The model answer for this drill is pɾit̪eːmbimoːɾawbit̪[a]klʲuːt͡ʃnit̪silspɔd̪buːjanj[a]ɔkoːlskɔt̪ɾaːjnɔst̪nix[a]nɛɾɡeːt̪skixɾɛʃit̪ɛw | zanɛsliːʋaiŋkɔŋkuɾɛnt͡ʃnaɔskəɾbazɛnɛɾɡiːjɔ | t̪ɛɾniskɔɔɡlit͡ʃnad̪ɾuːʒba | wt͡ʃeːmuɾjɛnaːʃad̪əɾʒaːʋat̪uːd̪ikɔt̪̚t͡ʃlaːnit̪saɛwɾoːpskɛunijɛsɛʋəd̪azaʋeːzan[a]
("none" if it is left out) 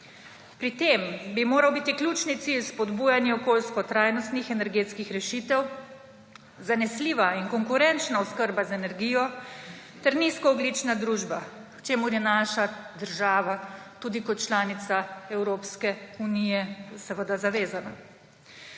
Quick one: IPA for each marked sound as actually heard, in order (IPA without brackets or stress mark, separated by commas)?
i, ɛ, ɛ, a